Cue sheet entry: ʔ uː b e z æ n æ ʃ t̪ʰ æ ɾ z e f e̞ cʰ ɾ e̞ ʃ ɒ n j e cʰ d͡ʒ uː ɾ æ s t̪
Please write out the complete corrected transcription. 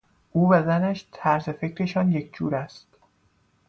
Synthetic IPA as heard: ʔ uː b æ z æ n æ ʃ t̪ʰ æ ɾ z e f e̞ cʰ ɾ e̞ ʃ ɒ n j e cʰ d͡ʒ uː ɾ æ s t̪

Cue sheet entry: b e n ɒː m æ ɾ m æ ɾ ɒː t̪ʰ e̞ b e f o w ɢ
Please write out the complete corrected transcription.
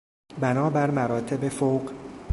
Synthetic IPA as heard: b æ n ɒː b æ ɾ m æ ɾ ɒː t̪ʰ e̞ b e f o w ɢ

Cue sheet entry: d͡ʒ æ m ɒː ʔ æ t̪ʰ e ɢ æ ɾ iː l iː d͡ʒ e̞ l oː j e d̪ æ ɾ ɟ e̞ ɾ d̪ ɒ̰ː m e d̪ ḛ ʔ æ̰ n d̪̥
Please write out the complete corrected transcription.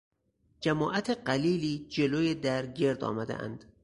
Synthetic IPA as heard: d͡ʒ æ m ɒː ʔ æ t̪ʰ e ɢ æ l iː l iː d͡ʒ e̞ l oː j e d̪ æ ɾ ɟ e̞ ɾ d̪ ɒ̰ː m æ d̪ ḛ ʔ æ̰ n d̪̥

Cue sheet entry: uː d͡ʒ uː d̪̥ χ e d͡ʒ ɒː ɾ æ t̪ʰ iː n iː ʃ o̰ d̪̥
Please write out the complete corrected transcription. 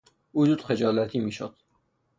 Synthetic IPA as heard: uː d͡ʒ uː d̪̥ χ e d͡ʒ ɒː l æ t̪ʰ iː m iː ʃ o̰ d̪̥

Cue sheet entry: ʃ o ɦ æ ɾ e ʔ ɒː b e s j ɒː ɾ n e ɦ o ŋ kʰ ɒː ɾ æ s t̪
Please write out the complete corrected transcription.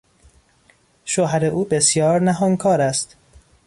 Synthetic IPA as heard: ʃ o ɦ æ ɾ e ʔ uː b e s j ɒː ɾ n æ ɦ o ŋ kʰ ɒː ɾ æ s t̪

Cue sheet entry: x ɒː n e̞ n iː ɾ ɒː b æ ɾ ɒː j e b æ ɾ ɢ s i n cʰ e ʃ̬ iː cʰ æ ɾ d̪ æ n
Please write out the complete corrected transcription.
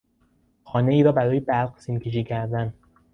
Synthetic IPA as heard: x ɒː n e̞ iː ɾ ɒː b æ ɾ ɒː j e b æ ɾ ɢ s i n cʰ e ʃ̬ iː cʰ æ ɾ d̪ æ n

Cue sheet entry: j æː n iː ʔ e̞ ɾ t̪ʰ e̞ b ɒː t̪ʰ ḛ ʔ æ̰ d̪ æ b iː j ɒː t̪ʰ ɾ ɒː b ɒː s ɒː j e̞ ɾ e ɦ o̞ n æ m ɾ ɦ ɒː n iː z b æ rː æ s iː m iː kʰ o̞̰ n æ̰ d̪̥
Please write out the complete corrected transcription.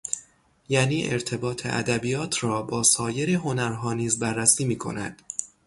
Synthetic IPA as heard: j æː n iː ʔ e̞ ɾ t̪ʰ e̞ b ɒː t̪ʰ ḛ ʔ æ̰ d̪ æ b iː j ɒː t̪ʰ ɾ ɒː b ɒː s ɒː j e̞ ɾ e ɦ o̞ n æ ɾ ɦ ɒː n iː z b æ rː æ s iː m iː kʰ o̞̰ n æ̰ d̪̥

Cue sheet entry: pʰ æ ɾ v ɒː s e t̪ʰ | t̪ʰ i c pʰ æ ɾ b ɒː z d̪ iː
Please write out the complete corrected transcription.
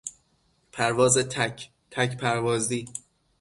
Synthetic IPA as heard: pʰ æ ɾ v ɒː z e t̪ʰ | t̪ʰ æ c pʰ æ ɾ v ɒː z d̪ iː

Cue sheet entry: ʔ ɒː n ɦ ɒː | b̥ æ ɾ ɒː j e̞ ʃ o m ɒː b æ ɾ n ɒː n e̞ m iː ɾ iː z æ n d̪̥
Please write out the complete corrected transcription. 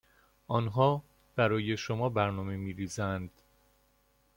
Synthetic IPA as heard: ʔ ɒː n ɦ ɒː | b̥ æ ɾ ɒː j e̞ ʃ o m ɒː b æ ɾ n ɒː m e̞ m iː ɾ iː z æ n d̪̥

